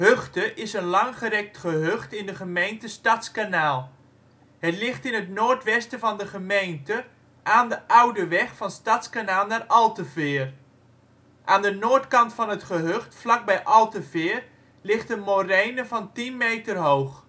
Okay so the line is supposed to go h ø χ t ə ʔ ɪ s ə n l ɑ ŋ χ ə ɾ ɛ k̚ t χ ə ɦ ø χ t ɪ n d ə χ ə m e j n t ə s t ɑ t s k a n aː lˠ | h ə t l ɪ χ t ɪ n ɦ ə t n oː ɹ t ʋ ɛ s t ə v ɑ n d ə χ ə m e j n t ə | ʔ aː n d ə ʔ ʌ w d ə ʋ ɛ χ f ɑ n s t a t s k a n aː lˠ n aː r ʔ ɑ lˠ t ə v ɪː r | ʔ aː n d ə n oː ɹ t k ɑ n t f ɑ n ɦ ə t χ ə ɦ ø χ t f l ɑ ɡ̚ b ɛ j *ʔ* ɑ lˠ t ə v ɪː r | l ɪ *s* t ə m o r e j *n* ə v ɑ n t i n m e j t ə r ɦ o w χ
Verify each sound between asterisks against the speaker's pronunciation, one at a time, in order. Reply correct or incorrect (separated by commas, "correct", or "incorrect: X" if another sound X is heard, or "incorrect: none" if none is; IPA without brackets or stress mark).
correct, incorrect: χ, correct